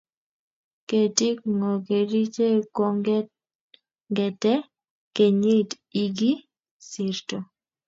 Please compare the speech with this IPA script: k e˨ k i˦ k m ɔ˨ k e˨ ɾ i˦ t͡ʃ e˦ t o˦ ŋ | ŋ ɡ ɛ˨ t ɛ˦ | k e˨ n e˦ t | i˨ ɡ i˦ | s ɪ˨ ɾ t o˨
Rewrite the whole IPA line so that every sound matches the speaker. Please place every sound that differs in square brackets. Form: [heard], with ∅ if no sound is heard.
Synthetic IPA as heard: k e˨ [t] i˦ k [ŋ] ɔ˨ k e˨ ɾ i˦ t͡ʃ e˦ [k] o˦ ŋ | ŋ ɡ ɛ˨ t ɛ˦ | k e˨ [ɲ] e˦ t | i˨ ɡ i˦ | s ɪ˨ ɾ t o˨

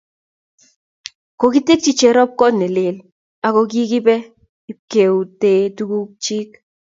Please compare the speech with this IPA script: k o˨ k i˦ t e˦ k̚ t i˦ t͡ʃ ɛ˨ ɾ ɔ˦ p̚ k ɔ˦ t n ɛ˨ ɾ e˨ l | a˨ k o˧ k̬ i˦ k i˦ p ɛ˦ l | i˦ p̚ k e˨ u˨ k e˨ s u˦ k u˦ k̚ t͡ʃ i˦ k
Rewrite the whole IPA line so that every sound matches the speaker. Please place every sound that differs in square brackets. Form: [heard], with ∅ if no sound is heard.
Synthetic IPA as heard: k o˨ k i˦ t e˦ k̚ [t͡ʃ] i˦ t͡ʃ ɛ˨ ɾ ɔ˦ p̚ k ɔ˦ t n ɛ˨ [l] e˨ l | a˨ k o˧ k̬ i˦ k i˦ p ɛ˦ [∅] | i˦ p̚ k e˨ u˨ [t] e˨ [t] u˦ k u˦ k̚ t͡ʃ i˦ k

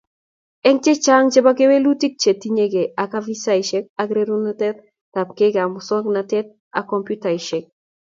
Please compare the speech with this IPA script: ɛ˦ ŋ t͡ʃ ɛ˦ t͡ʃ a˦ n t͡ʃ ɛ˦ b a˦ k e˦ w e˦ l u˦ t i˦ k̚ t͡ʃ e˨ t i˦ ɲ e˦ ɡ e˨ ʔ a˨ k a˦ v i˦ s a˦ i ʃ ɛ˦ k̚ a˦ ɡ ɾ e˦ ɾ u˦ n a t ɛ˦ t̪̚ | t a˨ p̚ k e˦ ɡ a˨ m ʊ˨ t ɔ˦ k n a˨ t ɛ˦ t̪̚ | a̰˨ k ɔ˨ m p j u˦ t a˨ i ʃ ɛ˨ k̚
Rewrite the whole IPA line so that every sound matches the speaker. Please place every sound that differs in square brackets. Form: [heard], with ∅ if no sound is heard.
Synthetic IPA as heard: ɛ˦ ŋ t͡ʃ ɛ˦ t͡ʃ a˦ [ŋ] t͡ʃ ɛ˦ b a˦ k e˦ w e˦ l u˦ t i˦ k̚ t͡ʃ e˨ t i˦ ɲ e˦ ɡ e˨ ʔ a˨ k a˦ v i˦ s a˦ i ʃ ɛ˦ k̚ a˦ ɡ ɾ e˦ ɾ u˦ n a t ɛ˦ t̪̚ | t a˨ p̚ k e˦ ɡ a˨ m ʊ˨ [s] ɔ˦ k n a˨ t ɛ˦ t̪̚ | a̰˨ k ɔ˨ m p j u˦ t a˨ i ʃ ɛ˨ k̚

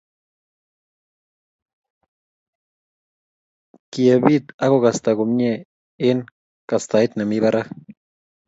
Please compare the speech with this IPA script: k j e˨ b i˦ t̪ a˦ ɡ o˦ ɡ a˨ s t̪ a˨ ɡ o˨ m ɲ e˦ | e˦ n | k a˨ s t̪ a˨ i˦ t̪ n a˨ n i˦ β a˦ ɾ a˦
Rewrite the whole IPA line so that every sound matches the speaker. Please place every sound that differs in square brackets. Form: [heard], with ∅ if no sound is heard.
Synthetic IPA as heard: k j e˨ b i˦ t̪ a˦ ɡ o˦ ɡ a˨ s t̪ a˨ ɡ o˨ m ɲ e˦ | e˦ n | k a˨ s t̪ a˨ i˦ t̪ n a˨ [m] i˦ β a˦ ɾ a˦

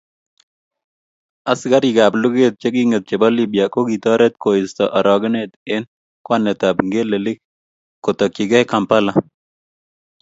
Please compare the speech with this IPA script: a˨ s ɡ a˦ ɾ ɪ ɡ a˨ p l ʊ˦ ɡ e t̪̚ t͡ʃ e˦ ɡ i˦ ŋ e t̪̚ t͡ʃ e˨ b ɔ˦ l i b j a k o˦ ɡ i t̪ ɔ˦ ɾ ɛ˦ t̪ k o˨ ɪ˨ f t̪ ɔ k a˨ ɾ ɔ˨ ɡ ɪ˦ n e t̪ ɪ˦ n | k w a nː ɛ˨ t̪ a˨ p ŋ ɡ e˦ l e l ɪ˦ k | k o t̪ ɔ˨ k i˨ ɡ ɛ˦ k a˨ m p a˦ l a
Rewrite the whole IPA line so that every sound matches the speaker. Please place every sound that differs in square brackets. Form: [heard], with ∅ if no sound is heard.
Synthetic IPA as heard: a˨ s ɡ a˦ ɾ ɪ ɡ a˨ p l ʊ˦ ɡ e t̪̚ t͡ʃ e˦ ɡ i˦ ŋ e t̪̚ t͡ʃ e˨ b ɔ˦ l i b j a k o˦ ɡ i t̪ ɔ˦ ɾ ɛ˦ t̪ k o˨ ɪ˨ [s] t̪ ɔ [ʔ] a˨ ɾ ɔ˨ ɡ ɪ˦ n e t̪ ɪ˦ n | k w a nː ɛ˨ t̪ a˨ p ŋ ɡ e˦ l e l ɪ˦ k | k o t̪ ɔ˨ k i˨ ɡ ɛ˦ k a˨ m p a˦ l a

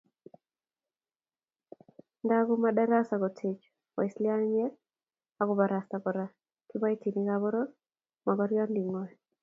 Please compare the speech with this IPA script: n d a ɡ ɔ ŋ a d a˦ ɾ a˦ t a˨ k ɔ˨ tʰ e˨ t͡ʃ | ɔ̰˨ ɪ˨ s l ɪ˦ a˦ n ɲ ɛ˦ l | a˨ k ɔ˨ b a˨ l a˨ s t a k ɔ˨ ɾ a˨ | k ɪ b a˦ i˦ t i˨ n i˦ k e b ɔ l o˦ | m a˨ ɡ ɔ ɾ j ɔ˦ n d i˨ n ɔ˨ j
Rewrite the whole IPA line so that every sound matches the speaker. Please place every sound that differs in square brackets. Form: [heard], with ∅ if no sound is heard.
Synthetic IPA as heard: n d a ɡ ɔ [m] a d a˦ ɾ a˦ [s] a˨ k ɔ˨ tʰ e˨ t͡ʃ | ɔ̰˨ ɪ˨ s l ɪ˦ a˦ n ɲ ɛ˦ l | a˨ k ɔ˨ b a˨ [ɾ] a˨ s t a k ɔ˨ ɾ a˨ | k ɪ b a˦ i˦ t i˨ n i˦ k [a] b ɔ [ɾ] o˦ | m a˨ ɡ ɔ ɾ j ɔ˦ n d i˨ [ŋ] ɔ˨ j

